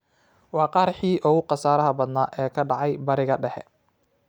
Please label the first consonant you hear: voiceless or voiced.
voiced